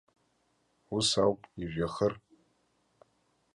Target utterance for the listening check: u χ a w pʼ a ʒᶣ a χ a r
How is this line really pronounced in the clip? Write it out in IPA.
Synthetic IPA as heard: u s a w pʼ i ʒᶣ a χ ə r